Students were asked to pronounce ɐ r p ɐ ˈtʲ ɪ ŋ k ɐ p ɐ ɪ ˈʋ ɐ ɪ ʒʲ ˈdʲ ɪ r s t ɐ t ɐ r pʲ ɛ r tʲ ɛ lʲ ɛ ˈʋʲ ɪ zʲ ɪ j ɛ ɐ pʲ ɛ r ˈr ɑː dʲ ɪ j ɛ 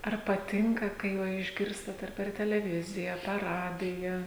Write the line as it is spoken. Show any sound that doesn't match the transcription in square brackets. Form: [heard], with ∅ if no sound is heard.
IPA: ɐ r p ɐ ˈtʲ ɪ ŋ k ɐ [k] ɐ ɪ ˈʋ ɐ ɪ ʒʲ [ˈɡʲ] ɪ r s t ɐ t ɐ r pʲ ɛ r tʲ ɛ lʲ ɛ ˈʋʲ ɪ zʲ ɪ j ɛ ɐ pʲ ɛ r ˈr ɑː dʲ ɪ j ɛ